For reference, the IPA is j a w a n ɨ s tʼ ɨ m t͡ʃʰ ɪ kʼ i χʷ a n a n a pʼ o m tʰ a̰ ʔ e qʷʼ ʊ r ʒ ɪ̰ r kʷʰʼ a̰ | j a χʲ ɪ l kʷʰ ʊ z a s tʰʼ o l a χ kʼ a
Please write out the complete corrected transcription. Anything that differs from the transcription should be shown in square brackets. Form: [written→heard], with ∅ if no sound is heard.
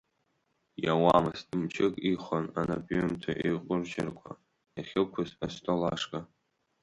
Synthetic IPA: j a w a [n→m] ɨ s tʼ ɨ m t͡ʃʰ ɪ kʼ i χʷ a n a n a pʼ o m tʰ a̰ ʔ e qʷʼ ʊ r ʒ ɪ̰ r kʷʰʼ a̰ | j a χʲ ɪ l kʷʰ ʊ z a s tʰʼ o l a [χ→ʂ] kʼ a